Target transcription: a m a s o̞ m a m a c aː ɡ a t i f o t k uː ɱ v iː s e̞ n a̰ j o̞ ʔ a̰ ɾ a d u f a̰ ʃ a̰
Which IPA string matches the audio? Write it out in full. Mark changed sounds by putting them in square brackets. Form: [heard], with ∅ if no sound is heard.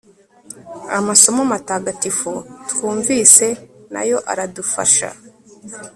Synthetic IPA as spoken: a m a s o̞ m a m a [t] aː ɡ a t i f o t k uː ɱ v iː s e̞ n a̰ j o̞ ʔ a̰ ɾ a d u f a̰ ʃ a̰